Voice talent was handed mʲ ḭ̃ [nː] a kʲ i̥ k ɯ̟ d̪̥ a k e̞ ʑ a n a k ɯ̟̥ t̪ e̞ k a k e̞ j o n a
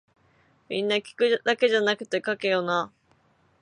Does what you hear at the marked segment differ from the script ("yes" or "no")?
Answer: no